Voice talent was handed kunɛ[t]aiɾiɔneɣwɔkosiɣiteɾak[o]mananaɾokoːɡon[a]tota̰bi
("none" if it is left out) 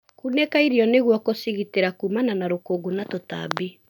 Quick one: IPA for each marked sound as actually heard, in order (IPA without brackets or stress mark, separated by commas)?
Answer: k, u, a